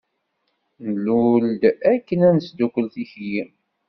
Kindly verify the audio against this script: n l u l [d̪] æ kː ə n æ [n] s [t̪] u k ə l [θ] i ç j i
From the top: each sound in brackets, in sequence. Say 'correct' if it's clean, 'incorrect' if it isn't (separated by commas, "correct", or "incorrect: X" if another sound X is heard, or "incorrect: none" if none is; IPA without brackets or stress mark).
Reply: correct, correct, incorrect: d̪, correct